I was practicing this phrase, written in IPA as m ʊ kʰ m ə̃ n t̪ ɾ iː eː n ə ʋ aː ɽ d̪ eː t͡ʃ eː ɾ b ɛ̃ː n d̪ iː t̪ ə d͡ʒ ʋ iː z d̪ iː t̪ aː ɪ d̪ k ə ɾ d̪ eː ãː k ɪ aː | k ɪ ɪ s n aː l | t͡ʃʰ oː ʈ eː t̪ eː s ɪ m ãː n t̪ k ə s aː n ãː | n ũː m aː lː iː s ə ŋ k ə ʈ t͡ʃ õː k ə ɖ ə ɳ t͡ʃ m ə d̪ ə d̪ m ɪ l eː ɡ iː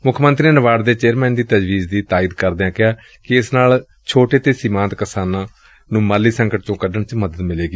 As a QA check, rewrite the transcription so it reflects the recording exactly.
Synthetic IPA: m ʊ kʰ m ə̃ n t̪ ɾ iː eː n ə ʋ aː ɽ d̪ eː t͡ʃ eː ɾ m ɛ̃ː n d̪ iː t̪ ə d͡ʒ ʋ iː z d̪ iː t̪ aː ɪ d̪ k ə ɾ d̪ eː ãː k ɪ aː | k ɪ ɪ s n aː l | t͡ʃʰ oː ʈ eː t̪ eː s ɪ m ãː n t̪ k ə s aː n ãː | n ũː m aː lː iː s ə ŋ k ə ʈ t͡ʃ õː k ə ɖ ə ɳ t͡ʃ m ə d̪ ə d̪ m ɪ l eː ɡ iː

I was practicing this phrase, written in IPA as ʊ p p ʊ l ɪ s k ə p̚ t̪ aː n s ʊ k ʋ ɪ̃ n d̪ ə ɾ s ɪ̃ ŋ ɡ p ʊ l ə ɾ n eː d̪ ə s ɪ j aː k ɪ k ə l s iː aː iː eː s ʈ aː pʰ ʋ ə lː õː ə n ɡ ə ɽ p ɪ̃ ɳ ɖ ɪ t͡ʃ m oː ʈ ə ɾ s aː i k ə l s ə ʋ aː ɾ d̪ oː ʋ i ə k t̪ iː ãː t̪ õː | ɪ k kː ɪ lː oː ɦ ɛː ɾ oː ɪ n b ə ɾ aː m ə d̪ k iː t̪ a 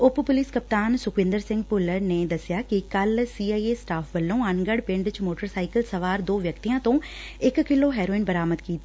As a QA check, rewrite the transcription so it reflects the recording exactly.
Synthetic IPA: ʊ p p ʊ l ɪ s k ə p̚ t̪ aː n s ʊ k ʋ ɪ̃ n d̪ ə ɾ s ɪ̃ ŋ ɡ p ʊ l ə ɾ n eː d̪ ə s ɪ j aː k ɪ k ə l s iː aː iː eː s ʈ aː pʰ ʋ ə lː õː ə n ɡ ə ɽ p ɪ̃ ɳ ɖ ɪ t͡ʃ m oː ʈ ə ɾ s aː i k ə l s ə ʋ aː ɾ d̪ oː ʋ j ə k t̪ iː ãː t̪ õː | ɪ k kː ɪ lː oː ɦ ɛː ɾ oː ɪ n b ə ɾ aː m ə d̪ k iː t̪ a

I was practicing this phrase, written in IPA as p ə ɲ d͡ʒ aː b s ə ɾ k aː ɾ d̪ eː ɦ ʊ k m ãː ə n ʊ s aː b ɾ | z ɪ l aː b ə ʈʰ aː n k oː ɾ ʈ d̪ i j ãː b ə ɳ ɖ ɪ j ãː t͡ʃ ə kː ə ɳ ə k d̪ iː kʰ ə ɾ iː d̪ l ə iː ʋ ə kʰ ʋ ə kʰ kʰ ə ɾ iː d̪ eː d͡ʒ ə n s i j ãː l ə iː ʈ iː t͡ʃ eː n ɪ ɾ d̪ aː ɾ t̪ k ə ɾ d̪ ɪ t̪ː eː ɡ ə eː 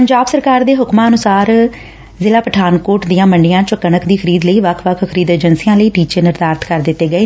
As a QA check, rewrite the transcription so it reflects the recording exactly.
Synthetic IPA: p ə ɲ d͡ʒ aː b s ə ɾ k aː ɾ d̪ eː ɦ ʊ k m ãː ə n ʊ s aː ɾ | z ɪ l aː p ə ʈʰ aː n k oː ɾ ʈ d̪ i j ãː m ə ɳ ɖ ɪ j ãː t͡ʃ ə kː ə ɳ ə k d̪ iː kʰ ə ɾ iː d̪ l ə iː ʋ ə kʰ ʋ ə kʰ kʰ ə ɾ iː d̪ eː d͡ʒ ə n s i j ãː l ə iː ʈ iː t͡ʃ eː n ɪ ɾ d̪ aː ɾ t̪ k ə ɾ d̪ ɪ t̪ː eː ɡ ə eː

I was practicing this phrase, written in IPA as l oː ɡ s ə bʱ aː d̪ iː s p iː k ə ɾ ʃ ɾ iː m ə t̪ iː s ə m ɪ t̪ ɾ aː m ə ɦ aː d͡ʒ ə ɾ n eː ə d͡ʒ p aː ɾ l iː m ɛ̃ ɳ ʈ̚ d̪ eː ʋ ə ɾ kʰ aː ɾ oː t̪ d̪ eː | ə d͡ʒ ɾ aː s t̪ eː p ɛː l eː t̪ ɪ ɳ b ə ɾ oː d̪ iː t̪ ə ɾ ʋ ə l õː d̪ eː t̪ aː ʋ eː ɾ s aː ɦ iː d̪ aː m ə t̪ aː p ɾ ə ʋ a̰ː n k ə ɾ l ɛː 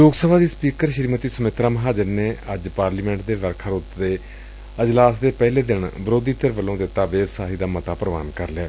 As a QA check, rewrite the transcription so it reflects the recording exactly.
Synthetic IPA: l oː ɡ s ə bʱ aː d̪ iː s p iː k ə ɾ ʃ ɾ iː m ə t̪ iː s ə m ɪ t̪ ɾ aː m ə ɦ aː d͡ʒ ə ɾ n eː ə d͡ʒ p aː ɾ l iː m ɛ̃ ɳ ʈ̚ d̪ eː ʋ ə ɾ kʰ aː ɾ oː t̪ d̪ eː | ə d͡ʒ l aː s d̪ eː p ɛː l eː d̪ ɪ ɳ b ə ɾ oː d̪ iː t̪ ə ɾ ʋ ə l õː d̪ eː t̪ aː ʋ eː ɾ s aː ɦ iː d̪ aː m ə t̪ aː p ɾ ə ʋ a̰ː n k ə ɾ l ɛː

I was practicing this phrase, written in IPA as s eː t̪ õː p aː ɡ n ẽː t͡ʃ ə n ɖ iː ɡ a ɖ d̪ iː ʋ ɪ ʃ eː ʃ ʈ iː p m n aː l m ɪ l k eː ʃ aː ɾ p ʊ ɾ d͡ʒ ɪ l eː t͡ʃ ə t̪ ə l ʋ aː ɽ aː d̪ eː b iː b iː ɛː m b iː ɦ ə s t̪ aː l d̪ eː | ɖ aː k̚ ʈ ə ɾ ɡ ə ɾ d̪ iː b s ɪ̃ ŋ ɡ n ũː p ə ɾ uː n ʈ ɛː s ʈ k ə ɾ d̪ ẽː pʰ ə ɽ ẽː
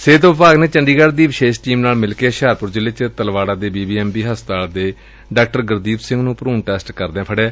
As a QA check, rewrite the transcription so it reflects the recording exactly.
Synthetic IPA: s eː t̪ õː p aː ɡ n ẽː t͡ʃ ə ɳ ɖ iː ɡ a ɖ d̪ iː ʋ ɪ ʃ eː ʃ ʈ iː m n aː l m ɪ l k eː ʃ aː ɾ p ʊ ɾ d͡ʒ ɪ l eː t͡ʃ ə t̪ ə l ʋ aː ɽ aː d̪ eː b iː b iː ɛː m b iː ɦ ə s t̪ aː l d̪ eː | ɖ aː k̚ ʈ ə ɾ ɡ ə ɾ d̪ iː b s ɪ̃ ŋ ɡ n ũː p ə ɾ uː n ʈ ɛː s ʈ k ə ɾ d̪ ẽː pʰ ə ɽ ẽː

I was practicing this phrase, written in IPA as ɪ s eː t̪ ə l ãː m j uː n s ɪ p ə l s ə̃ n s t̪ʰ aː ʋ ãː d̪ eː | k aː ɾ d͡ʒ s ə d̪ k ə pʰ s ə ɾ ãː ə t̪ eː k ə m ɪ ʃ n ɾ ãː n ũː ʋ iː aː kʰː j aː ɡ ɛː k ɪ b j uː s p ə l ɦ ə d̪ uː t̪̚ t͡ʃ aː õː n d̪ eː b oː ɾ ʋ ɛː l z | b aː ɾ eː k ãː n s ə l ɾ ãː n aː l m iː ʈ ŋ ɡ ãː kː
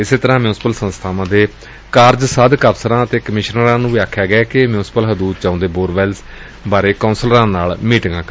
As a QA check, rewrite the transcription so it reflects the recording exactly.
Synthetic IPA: ɪ s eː t̪ ə ɾ ãː m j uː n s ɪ p ə l s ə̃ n s t̪ʰ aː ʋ ãː d̪ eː | k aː ɾ d͡ʒ s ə d̪ k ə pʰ s ə ɾ ãː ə t̪ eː k ə m ɪ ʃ n ɾ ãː n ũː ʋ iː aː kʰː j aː ɡ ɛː k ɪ m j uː s p ə l ɦ ə d̪ uː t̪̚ t͡ʃ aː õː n d̪ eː b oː ɾ ʋ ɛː l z | b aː ɾ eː k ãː n s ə l ɾ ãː n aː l m iː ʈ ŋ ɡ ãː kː

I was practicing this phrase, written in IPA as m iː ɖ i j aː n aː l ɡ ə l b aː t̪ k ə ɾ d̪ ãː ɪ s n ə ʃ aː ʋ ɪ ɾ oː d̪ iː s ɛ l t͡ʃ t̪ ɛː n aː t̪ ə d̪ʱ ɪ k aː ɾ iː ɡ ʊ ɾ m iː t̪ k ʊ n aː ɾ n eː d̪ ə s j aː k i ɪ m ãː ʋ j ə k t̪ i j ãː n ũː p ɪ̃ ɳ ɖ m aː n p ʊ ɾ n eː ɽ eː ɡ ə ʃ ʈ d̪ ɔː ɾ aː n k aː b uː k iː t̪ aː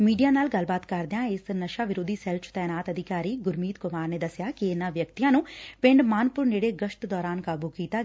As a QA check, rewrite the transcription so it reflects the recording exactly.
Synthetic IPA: m iː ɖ i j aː n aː l ɡ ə l b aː t̪ k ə ɾ d̪ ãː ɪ s n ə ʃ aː ʋ ɪ ɾ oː d̪ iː s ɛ l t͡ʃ t̪ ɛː n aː t̪ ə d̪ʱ ɪ k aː ɾ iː ɡ ʊ ɾ m iː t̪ k ʊ m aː ɾ n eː d̪ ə s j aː k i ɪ n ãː ʋ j ə k t̪ i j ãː n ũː p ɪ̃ ɳ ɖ m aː n p ʊ ɾ n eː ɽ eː ɡ ə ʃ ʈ d̪ ɔː ɾ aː n k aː b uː k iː t̪ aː

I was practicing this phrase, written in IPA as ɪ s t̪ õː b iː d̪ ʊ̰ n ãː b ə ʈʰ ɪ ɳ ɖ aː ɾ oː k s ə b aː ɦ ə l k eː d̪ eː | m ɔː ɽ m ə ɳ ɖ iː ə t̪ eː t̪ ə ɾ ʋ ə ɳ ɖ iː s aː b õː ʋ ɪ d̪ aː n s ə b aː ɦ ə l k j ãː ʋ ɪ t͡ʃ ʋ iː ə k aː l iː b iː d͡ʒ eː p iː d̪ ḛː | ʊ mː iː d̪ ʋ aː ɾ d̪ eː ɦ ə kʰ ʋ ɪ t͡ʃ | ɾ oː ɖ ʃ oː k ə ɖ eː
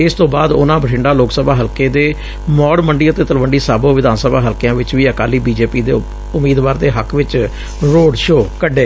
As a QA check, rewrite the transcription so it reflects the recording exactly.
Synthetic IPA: ɪ s t̪ õː b aː d̪ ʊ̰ n ãː b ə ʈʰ ɪ ɳ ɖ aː l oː k s ə b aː ɦ ə l k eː d̪ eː | m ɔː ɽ m ə ɳ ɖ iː ə t̪ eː t̪ ə l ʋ ə ɳ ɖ iː s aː b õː ʋ ɪ d̪ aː n s ə b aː ɦ ə l k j ãː ʋ ɪ t͡ʃ ʋ iː ə k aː l iː b iː d͡ʒ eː p iː d̪ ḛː | ʊ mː iː d̪ ʋ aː ɾ d̪ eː ɦ ə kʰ ʋ ɪ t͡ʃ | ɾ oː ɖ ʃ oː k ə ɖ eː

